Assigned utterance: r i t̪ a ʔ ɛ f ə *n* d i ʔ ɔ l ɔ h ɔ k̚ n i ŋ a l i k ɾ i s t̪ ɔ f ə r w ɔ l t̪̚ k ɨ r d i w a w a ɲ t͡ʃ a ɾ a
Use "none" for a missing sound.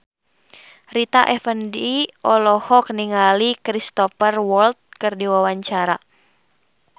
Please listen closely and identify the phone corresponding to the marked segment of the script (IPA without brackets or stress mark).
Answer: n